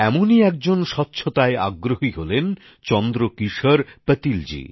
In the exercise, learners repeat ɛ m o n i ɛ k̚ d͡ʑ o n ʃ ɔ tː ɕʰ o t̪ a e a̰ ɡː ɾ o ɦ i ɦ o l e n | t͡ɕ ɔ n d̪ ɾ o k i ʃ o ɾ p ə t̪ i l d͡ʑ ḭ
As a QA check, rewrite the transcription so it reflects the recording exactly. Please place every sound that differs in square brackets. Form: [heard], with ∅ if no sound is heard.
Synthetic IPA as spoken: ɛ m o n i ɛ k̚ d͡ʑ o n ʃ ɔ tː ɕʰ o t̪ a e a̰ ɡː ɾ o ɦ i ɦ o l e n | t͡ɕ ɔ n d̪ ɾ o k i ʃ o ɾ p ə t̪ i l d͡ʑ ḭ